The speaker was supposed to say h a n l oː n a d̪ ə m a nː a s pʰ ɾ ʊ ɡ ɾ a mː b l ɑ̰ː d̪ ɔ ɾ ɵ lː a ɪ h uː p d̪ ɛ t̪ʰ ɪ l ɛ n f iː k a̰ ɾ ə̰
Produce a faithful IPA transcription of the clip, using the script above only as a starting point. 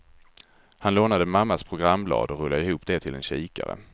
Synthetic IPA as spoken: h a n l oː n a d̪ ə m a mː a s pʰ ɾ ʊ ɡ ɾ a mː b l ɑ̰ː d̪ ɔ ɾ ɵ lː a ɪ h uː p d̪ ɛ t̪ʰ ɪ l ɛ n ɕ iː k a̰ ɾ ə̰